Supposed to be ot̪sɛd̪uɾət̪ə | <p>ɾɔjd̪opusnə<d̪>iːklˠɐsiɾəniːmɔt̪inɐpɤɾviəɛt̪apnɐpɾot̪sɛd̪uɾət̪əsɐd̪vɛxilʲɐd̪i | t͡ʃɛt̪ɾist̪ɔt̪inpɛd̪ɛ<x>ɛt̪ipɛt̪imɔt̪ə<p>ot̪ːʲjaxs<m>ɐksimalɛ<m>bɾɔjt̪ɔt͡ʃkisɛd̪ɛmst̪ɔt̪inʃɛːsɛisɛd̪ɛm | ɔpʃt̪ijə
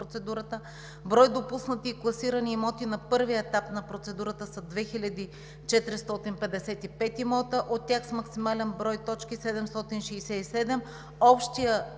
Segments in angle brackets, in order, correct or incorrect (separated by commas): incorrect, incorrect, incorrect, incorrect, correct, incorrect